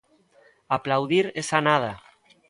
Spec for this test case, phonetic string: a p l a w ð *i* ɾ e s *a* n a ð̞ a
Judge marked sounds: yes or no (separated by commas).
yes, yes